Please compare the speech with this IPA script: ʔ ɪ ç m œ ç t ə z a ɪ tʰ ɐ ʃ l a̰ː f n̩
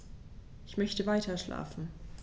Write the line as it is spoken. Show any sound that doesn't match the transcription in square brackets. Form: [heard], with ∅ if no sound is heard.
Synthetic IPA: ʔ ɪ ç m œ ç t ə [v] a ɪ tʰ ɐ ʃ l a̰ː f n̩